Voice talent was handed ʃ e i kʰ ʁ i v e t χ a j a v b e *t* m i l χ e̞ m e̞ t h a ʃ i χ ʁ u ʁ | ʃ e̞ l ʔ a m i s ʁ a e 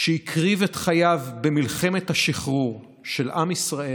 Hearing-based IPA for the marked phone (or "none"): none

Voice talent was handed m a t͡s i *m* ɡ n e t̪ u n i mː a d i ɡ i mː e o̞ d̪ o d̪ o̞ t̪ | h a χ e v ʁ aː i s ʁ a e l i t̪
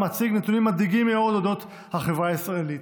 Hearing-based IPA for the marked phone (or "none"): none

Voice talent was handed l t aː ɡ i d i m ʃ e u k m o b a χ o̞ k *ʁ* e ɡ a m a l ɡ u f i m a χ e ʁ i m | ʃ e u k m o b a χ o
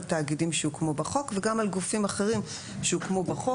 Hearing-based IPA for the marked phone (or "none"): v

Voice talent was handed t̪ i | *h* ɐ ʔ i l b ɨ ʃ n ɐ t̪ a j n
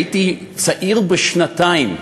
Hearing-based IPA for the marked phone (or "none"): s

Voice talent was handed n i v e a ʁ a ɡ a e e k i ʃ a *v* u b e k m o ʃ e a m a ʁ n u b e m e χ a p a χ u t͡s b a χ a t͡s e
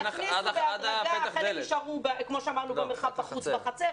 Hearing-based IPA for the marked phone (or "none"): ʁ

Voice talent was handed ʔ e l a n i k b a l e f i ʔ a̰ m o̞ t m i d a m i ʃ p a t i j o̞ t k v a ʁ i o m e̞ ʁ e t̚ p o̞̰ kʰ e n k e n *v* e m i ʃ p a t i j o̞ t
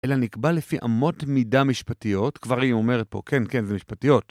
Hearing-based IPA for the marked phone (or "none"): z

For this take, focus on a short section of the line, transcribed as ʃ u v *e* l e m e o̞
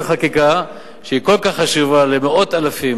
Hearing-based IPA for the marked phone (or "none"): a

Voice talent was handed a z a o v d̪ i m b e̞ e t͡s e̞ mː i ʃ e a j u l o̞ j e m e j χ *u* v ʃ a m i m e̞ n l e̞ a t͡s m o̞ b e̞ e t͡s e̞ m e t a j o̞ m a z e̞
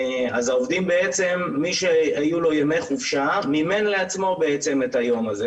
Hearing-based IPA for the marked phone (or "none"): u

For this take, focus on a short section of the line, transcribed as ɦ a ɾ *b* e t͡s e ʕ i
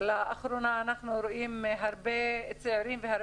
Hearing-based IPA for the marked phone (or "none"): b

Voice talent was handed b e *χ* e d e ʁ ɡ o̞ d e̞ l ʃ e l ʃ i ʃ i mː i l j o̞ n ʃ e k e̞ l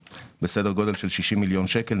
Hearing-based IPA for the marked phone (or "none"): s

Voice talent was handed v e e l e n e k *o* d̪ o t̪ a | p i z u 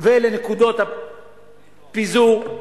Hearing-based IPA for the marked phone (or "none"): u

